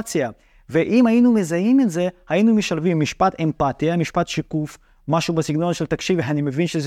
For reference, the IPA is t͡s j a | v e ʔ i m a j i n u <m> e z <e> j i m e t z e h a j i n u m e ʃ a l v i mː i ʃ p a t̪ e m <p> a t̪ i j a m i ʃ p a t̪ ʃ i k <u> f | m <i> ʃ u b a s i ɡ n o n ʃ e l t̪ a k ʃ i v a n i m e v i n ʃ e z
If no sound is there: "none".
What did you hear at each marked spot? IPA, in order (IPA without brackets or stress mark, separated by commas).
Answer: m, a, p, u, a